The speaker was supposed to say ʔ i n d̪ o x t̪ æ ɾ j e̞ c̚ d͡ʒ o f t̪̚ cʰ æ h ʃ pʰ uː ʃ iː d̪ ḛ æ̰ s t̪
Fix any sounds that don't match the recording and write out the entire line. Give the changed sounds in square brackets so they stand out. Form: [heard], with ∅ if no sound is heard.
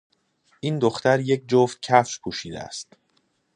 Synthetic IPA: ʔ i n d̪ o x t̪ æ ɾ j e̞ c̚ d͡ʒ o f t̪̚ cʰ æ [f] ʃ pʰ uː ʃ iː d̪ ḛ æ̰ s t̪